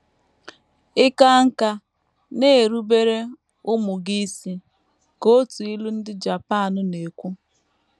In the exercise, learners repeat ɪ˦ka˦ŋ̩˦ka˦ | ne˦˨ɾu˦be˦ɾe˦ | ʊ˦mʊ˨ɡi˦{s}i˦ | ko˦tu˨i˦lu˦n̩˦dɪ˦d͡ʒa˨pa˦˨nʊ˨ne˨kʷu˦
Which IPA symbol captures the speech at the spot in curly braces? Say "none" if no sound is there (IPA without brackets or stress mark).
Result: s